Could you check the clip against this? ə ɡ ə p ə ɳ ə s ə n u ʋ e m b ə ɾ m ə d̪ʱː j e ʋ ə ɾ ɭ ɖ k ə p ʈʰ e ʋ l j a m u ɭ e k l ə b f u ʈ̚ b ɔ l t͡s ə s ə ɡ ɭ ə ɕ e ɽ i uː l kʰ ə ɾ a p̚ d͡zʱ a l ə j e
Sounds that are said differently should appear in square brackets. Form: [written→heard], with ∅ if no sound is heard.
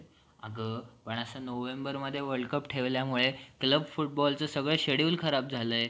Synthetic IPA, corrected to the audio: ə ɡ ə p ə ɳ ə s ə n [u→o] ʋ e m b ə ɾ m ə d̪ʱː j e ʋ ə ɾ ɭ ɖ k ə p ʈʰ e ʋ l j a m u ɭ e k l ə b f u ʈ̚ b ɔ l t͡s ə s ə ɡ ɭ ə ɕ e ɽ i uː l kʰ ə ɾ a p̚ d͡zʱ a l ə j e